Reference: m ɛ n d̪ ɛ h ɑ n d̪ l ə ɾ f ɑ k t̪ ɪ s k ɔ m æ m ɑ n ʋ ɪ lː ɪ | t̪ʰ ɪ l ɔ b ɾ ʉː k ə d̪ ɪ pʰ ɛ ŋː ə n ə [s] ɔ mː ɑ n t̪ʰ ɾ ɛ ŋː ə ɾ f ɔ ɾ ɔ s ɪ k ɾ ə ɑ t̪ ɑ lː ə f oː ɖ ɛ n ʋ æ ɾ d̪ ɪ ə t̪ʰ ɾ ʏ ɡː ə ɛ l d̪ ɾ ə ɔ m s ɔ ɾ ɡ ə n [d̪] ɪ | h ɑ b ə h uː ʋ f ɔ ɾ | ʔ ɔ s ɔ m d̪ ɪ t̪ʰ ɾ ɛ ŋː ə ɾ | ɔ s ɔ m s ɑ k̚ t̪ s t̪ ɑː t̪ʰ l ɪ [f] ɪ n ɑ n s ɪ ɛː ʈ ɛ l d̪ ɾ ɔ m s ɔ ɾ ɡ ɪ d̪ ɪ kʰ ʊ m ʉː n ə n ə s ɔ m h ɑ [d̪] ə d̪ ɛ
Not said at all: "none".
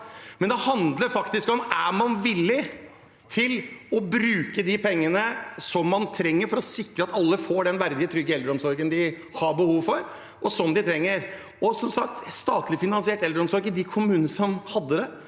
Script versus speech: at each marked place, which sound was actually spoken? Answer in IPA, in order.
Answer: s, d̪, f, d̪ː

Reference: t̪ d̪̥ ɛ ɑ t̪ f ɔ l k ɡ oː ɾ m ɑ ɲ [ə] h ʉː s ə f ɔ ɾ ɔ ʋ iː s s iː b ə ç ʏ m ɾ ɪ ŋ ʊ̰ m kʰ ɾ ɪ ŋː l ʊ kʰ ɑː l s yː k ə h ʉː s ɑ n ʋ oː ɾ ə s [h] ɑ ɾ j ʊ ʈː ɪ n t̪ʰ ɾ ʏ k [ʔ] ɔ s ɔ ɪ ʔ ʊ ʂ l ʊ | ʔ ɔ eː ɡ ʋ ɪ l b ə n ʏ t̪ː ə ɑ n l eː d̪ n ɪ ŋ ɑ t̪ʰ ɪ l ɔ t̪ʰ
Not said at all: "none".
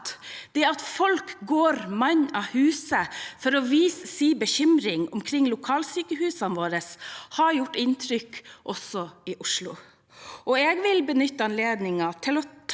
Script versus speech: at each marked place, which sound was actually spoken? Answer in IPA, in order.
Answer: ɑ, h, ʔ

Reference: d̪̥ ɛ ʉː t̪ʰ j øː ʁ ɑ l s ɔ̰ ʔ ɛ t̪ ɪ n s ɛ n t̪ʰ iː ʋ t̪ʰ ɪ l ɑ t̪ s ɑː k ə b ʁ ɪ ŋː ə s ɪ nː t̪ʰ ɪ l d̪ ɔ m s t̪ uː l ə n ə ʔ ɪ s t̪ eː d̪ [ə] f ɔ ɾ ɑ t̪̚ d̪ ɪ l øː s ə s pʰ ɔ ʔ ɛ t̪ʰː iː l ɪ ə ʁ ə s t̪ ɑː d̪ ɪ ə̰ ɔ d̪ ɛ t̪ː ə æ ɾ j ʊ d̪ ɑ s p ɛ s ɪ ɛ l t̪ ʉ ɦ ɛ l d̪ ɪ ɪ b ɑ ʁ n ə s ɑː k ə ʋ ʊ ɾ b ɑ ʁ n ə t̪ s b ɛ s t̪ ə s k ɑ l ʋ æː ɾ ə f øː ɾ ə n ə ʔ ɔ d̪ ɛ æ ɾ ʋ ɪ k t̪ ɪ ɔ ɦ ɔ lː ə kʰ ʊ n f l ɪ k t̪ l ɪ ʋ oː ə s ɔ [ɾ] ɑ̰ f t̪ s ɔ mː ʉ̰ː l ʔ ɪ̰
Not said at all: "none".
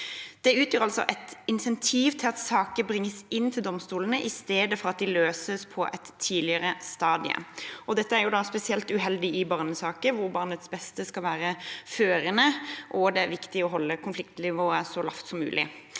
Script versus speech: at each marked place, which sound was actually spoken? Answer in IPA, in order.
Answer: ə, l

